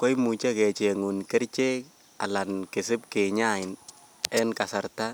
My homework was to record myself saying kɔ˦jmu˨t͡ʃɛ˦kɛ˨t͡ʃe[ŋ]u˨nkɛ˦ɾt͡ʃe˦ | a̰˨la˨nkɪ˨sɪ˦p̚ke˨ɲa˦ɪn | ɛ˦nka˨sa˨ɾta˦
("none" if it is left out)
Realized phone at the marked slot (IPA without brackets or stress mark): ŋ